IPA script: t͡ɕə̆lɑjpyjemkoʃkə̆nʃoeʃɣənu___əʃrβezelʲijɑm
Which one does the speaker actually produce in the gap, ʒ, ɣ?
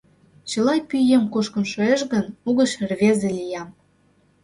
ɣ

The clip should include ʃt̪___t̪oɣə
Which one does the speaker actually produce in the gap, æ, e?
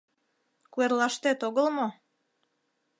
e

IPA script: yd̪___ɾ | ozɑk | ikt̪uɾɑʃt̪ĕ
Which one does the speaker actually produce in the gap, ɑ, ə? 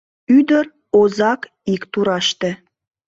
ə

